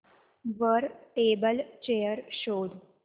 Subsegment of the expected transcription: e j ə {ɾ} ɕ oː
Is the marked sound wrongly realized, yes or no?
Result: no